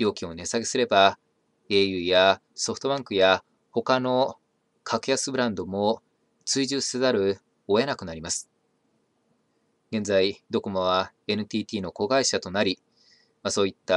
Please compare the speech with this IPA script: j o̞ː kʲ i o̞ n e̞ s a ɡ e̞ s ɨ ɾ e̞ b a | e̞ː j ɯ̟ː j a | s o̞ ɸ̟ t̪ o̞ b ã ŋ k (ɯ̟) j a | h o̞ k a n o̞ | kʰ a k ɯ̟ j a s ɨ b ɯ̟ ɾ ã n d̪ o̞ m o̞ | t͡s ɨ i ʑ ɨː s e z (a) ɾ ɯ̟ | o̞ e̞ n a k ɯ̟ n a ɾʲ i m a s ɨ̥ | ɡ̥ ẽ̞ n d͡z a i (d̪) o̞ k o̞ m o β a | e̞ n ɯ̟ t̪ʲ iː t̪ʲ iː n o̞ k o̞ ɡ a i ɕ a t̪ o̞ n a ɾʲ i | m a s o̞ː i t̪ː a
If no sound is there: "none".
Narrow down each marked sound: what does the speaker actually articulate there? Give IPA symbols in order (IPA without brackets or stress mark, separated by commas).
ɯ̟, a, d̪